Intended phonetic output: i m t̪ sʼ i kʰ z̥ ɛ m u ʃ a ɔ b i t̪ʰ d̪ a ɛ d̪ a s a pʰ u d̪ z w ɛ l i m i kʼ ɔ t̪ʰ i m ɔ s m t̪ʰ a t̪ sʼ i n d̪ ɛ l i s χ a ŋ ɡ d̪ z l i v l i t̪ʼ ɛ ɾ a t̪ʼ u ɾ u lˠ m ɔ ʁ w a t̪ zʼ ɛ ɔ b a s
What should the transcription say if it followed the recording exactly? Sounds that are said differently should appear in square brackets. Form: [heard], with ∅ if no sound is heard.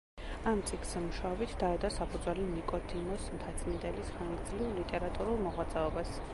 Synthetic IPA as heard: [a] m t̪ sʼ i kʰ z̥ ɛ m u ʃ a ɔ b i t̪ʰ d̪ a ɛ d̪ a s a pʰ u d̪ z w ɛ l i [n] i kʼ ɔ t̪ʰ i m ɔ s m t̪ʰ a t̪ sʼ i n d̪ ɛ l i s χ a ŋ ɡ d̪ z l i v l i t̪ʼ ɛ ɾ a t̪ʼ u ɾ u lˠ m ɔ ʁ w a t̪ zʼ ɛ ɔ b a s